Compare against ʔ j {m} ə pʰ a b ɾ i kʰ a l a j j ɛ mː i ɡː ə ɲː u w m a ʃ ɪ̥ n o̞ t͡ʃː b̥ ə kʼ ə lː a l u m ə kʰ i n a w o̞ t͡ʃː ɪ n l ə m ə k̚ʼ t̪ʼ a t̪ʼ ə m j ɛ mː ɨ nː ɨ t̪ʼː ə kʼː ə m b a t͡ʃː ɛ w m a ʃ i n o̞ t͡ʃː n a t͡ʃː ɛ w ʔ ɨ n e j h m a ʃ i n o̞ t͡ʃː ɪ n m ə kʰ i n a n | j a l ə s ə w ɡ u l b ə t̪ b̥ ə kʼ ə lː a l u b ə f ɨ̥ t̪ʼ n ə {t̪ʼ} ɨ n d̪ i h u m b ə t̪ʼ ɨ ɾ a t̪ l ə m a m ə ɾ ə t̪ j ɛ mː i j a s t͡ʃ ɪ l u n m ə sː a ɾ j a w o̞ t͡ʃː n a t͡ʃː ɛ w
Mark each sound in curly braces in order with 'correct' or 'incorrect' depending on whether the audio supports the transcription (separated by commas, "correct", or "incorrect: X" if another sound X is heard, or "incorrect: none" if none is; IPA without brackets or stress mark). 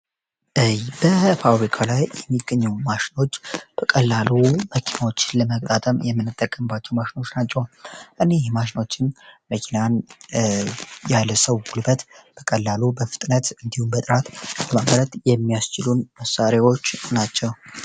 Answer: incorrect: b, incorrect: t̪